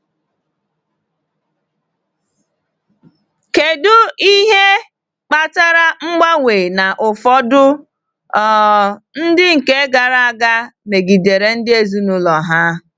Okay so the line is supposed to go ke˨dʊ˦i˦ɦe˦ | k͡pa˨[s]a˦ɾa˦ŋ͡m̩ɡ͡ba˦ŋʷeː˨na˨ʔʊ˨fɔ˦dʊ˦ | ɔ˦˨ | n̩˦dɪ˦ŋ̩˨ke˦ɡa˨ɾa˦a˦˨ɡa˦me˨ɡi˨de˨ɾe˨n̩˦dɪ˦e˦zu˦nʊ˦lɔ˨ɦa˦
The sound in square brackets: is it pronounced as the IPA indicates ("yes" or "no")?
no